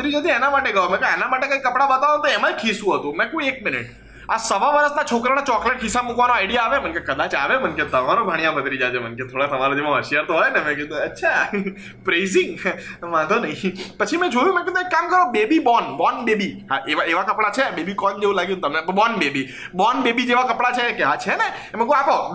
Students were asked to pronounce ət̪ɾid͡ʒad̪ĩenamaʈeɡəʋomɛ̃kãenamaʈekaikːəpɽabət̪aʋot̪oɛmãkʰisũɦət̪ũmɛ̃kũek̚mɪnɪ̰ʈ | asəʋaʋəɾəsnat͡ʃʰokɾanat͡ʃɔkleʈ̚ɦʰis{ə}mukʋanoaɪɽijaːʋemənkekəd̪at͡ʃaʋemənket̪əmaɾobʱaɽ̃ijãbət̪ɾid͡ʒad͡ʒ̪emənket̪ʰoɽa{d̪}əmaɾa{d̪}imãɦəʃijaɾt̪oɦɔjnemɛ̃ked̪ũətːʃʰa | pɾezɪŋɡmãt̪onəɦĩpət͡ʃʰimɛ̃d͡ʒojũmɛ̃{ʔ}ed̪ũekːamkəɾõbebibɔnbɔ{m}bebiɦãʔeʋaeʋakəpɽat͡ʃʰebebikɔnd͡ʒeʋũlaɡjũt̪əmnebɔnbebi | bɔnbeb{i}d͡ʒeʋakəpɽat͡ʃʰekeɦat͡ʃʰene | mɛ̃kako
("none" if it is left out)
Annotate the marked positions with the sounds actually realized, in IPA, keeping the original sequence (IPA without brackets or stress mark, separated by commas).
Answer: a, t̪, d̪, k, n, i